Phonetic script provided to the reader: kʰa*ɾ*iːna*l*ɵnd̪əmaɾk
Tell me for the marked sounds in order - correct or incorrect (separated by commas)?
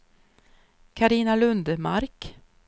correct, correct